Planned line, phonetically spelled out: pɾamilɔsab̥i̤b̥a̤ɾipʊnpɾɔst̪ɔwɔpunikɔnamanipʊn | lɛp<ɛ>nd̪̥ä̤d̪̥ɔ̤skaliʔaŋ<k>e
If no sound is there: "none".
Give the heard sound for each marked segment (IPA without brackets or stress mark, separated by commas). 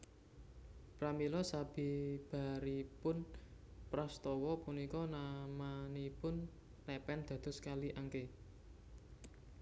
ɛ, k